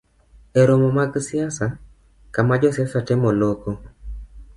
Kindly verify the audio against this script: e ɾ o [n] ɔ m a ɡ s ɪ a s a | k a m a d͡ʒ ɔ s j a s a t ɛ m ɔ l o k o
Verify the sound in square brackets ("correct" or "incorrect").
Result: incorrect